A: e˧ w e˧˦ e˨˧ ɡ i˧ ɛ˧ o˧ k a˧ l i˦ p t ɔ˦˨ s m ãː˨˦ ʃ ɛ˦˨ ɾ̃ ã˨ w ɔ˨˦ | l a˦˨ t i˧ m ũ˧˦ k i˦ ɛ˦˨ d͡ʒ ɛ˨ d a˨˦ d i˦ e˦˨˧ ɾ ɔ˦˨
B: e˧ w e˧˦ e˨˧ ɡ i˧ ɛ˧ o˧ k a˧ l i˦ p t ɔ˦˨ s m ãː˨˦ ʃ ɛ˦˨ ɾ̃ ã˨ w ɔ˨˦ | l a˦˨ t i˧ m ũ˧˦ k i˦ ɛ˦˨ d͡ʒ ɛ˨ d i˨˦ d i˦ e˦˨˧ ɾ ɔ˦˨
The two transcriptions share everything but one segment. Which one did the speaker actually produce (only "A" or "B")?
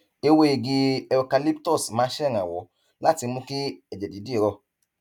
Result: B